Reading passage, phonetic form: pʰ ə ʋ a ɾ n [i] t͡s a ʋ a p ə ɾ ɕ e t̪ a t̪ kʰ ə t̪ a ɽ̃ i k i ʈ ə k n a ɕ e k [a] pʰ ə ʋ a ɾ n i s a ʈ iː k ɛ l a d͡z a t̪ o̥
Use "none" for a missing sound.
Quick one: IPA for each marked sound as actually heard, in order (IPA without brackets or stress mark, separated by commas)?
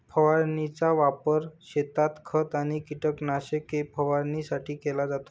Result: i, e